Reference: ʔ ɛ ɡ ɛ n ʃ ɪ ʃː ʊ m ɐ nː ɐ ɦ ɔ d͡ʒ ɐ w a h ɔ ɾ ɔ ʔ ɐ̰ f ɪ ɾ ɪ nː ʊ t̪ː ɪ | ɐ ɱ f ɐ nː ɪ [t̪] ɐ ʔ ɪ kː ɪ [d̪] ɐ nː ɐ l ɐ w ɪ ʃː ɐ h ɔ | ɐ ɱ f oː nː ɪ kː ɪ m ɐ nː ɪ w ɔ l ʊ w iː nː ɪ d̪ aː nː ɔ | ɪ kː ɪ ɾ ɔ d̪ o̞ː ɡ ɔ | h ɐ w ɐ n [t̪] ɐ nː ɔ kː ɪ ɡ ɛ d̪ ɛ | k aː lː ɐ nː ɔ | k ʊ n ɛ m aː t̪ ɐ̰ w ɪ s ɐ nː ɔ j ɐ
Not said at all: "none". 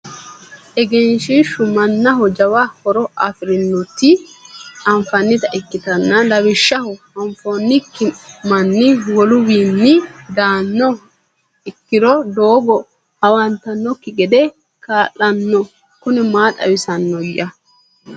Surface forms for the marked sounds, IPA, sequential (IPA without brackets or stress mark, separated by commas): t̪, t̪, t̪